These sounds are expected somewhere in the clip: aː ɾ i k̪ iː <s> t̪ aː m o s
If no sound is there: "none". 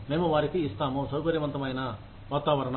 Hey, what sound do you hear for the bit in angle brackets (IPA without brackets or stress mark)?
s